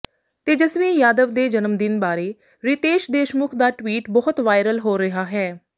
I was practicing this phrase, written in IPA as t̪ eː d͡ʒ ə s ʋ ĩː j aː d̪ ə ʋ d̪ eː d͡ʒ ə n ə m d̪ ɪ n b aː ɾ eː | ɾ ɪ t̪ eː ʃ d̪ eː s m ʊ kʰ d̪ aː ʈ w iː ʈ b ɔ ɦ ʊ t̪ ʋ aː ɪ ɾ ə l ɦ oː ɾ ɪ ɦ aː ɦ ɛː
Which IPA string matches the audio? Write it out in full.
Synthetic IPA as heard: t̪ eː d͡ʒ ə s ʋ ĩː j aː d̪ ə ʋ d̪ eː d͡ʒ ə n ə m d̪ ɪ n b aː ɾ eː | ɾ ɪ t̪ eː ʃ d̪ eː ʃ m ʊ kʰ d̪ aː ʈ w iː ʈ b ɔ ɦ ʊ t̪ ʋ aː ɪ ɾ ə l ɦ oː ɾ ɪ ɦ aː ɦ ɛː